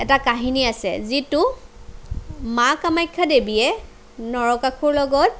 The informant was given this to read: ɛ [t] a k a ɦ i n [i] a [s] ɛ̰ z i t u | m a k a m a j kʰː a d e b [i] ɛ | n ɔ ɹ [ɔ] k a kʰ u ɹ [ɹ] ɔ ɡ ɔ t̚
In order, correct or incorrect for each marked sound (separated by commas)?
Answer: correct, correct, correct, correct, correct, incorrect